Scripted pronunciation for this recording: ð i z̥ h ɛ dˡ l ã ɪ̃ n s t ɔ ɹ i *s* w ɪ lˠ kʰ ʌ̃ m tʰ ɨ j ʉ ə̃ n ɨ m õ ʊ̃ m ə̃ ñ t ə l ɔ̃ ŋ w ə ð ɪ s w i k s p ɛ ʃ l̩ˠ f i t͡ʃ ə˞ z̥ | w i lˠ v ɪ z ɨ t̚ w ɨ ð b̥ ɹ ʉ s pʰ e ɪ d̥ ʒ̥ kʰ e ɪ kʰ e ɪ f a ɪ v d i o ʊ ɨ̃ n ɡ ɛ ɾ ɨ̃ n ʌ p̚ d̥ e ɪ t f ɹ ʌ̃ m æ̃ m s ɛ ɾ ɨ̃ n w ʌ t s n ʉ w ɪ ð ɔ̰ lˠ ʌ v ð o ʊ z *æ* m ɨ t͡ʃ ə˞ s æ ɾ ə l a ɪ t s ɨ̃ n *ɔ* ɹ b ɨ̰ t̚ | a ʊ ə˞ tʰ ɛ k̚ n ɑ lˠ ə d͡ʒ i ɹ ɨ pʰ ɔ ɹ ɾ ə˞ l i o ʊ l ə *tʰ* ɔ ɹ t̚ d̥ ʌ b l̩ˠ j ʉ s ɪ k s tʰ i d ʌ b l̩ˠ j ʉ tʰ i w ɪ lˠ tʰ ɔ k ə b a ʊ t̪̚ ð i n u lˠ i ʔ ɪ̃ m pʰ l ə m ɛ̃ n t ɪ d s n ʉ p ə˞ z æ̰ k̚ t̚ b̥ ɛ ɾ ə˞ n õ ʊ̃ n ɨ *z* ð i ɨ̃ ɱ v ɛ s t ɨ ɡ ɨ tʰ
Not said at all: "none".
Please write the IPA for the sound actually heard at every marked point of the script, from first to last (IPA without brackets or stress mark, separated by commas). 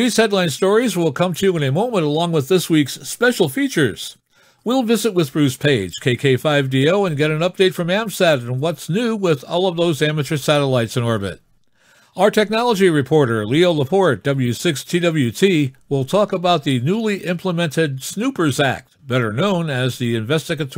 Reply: z, æ, ɔ, pʰ, z